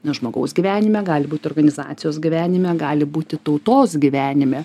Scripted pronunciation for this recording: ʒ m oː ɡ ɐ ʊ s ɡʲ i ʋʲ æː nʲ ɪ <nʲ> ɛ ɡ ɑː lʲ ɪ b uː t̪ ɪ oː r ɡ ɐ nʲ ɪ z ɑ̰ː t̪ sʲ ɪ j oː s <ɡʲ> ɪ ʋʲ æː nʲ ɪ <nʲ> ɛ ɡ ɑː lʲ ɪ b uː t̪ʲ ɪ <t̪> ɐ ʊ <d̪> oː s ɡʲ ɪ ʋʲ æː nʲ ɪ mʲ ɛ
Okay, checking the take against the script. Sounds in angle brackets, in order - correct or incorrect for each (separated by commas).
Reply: incorrect, correct, incorrect, correct, incorrect